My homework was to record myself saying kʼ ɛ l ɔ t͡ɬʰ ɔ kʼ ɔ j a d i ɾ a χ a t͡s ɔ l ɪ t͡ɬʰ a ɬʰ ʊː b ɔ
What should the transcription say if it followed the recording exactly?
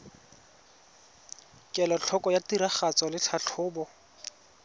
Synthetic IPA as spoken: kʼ ɛ l ɔ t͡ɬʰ ɔ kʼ ɔ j a t i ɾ a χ a t͡s ɔ l ɪ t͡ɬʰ a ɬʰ ʊː b ɔ